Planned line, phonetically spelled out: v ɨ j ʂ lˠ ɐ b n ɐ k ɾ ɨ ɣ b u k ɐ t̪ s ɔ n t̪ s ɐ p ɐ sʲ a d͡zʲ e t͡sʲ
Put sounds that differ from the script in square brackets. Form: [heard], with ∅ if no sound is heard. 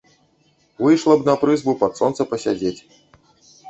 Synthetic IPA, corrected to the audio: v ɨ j ʂ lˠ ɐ b n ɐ [p] ɾ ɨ [z] b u [p] ɐ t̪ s ɔ n t̪ s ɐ p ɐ sʲ a d͡zʲ e t͡sʲ